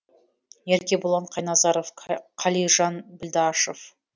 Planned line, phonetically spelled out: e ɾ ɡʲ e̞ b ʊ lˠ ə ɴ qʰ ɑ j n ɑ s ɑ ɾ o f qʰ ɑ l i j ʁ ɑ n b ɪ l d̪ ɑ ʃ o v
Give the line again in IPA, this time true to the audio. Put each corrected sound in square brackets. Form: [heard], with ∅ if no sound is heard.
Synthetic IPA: e ɾ [kʲ] e̞ b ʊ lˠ [ɑ] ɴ qʰ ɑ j n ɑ [z] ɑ ɾ o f qʰ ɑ l i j [ʒ] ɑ n b ɪ l d̪ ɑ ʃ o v

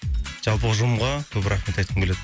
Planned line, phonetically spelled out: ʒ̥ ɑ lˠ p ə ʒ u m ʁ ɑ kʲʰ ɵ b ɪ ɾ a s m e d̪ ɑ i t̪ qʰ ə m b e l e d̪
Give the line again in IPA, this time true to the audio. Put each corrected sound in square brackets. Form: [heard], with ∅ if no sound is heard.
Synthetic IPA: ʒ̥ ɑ lˠ p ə ʒ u m ʁ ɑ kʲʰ ɵ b ɪ ɾ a [χ] m e [t̪] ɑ [j] t̪ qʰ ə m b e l e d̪

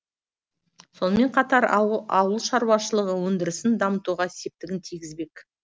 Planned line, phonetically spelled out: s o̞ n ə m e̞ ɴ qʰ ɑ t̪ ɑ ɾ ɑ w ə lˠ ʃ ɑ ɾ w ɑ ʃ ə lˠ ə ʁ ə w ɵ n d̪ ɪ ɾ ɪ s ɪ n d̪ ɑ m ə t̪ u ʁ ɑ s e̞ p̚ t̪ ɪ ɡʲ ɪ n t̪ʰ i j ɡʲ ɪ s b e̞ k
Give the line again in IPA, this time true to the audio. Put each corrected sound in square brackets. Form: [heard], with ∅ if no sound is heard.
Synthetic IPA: s o̞ n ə m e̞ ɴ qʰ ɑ t̪ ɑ ɾ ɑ w ə lˠ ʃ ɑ ɾ w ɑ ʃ ə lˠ ə ʁ ə w ɵ n d̪ ɪ ɾ ɪ s ɪ n d̪ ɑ m ə t̪ u ʁ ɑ s e̞ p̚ t̪ ɪ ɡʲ ɪ n t̪ʰ i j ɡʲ ɪ [z] b e̞ k

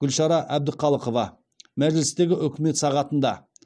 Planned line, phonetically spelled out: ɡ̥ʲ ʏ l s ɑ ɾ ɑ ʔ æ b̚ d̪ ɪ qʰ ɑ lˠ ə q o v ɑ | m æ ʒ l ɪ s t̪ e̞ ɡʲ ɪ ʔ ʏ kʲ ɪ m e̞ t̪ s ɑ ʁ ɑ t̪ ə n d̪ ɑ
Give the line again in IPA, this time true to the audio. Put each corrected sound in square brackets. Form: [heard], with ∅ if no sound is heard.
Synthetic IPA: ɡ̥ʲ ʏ l [ʃ] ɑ ɾ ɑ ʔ æ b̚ d̪ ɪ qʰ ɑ lˠ ə q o v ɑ | m æ ʒ l ɪ s t̪ e̞ ɡʲ ɪ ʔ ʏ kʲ ɪ m e̞ t̪ s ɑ ʁ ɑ t̪ ə n d̪ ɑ

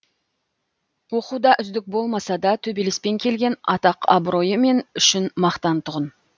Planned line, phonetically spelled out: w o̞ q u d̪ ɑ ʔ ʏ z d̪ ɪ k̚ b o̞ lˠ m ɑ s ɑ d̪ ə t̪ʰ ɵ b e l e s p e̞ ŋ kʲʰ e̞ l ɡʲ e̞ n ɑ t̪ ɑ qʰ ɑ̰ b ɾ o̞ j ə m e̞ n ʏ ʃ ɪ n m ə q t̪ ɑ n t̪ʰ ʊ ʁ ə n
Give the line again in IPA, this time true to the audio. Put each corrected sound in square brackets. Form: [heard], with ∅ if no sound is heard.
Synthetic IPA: w o̞ q u d̪ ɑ ʔ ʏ z d̪ ɪ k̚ b o̞ lˠ m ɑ s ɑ d̪ [ɑ] t̪ʰ ɵ b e l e s p e̞ ŋ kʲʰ e̞ l ɡʲ e̞ n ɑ t̪ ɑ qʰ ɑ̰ b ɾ o̞ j ə m e̞ n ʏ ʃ ɪ n m [ɑ] q t̪ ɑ n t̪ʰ ʊ ʁ ə n

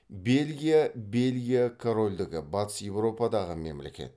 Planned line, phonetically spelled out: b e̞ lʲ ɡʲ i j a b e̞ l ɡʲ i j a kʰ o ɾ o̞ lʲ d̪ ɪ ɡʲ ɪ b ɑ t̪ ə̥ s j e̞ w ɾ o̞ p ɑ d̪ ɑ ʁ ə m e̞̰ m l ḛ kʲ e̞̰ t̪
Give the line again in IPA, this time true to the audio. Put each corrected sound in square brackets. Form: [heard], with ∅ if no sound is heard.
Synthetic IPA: b e̞ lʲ ɡʲ i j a b e̞ l ɡʲ i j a kʰ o ɾ o̞ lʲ d̪ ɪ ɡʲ ɪ b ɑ t̪ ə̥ s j e̞ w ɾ o̞ p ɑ d̪ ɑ ʁ ə m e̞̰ m l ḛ kʲ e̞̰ t̪

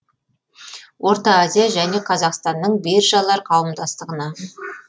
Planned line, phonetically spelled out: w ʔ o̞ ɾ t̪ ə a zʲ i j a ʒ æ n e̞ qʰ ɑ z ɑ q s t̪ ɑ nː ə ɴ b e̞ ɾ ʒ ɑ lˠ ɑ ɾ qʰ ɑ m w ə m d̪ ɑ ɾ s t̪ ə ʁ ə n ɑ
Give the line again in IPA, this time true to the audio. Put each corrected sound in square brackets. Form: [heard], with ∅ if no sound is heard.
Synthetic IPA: w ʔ o̞ ɾ t̪ [ɑ] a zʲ i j a ʒ æ n e̞ qʰ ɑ z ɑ q s t̪ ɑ nː ə ɴ b e̞ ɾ ʒ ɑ lˠ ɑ ɾ qʰ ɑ [∅] w ə m d̪ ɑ [∅] s t̪ ə ʁ ə n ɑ

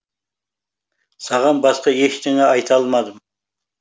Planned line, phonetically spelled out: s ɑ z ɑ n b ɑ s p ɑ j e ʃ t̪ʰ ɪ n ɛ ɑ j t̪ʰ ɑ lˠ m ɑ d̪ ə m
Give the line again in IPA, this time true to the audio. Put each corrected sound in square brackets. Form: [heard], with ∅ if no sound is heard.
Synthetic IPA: s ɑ [ʁ] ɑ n b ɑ s [q] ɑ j e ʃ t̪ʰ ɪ [ŋ] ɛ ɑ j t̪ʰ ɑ lˠ m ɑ d̪ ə m

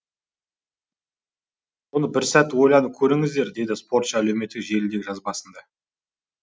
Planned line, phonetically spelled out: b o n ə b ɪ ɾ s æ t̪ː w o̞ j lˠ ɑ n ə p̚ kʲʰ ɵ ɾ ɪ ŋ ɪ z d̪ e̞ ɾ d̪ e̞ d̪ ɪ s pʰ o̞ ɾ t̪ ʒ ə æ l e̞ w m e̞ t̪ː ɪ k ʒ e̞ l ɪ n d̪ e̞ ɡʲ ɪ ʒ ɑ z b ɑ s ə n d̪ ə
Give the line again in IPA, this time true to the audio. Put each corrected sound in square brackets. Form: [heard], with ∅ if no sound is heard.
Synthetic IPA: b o n ə b ɪ ɾ s æ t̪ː w o̞ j lˠ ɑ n ə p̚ kʲʰ ɵ ɾ ɪ ŋ ɪ z d̪ e̞ ɾ d̪ e̞ d̪ ɪ s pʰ o̞ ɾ t̪ [ʃ] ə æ l e̞ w m e̞ t̪ː ɪ k ʒ e̞ l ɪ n d̪ e̞ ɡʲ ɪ ʒ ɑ z b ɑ s ə n d̪ [ɑ]

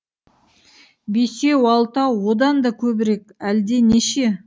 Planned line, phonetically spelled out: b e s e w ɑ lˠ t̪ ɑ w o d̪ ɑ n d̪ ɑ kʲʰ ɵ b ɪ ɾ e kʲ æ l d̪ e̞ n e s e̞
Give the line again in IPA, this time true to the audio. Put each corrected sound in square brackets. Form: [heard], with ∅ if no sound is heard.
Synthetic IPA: b e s e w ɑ lˠ t̪ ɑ w o d̪ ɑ n d̪ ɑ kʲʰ ɵ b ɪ ɾ e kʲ æ l d̪ e̞ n e [ʃ] e̞

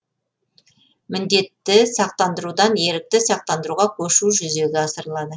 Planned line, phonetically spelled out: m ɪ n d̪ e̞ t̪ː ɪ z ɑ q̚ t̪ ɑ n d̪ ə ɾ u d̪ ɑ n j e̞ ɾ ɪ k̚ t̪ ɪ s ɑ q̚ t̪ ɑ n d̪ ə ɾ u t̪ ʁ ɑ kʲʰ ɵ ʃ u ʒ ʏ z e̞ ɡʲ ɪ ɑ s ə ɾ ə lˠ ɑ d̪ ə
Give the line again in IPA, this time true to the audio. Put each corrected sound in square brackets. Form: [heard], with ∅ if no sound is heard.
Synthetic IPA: m ɪ n d̪ e̞ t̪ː ɪ [s] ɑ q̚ t̪ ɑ n d̪ ə ɾ u d̪ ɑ n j e̞ ɾ ɪ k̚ t̪ ɪ s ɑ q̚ t̪ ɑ n d̪ ə ɾ u [∅] ʁ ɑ kʲʰ ɵ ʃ u ʒ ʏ z e̞ ɡʲ ɪ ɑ s ə ɾ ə lˠ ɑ d̪ ə

